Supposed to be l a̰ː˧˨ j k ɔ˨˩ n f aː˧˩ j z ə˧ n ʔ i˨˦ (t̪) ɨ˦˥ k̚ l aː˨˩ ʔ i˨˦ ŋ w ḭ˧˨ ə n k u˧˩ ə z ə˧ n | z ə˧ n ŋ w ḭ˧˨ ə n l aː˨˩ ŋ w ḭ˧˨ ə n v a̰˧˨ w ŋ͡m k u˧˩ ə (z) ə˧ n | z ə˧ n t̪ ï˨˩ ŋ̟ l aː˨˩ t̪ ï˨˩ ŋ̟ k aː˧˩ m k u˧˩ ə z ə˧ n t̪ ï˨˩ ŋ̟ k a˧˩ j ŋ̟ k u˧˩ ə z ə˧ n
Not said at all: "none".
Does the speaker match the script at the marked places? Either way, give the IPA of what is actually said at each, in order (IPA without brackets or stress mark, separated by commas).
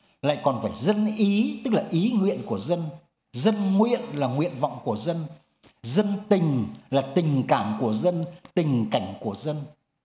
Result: t̪, z